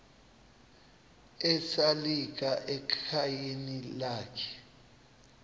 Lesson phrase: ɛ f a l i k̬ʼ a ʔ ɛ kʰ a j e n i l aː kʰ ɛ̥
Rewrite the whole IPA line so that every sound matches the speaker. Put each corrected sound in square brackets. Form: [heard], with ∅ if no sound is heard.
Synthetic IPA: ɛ [s] a l i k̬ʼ a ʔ ɛ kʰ a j e n i l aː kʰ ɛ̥